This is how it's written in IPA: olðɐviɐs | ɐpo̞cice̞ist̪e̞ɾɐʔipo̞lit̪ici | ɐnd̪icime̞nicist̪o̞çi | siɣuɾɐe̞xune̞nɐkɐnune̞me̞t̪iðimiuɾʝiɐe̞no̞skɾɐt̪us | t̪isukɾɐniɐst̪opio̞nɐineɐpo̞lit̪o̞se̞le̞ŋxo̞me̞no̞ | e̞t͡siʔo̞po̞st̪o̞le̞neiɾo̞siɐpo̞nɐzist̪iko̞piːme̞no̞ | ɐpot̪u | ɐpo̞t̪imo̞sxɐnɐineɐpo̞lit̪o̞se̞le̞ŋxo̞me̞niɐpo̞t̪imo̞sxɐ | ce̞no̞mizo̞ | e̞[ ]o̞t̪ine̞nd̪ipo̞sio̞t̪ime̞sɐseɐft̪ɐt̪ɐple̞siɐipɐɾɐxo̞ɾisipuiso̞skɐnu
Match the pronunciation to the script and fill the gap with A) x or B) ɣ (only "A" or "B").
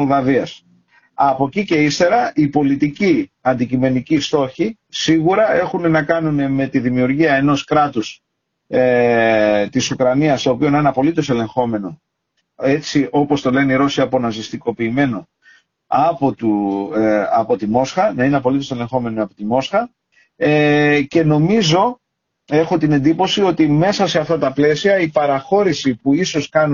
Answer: A